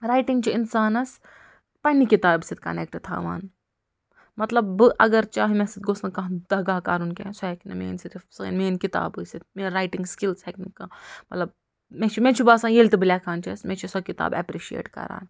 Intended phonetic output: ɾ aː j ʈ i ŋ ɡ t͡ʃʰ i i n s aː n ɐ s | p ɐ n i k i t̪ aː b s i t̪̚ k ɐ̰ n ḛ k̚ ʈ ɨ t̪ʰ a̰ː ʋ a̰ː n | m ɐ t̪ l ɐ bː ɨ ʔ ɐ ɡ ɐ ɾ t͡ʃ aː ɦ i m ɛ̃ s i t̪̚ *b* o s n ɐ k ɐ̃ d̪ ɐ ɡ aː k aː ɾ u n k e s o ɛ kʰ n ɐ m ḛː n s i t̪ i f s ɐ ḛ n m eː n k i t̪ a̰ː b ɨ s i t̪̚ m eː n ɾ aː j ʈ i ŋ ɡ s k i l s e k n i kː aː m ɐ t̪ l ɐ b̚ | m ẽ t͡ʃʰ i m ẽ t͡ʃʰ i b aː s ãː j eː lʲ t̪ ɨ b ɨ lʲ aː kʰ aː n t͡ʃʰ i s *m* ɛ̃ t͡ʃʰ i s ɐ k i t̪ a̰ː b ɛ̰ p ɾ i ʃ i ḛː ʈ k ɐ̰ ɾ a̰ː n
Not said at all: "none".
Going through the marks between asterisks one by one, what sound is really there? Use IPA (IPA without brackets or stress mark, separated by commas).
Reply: ɡ, m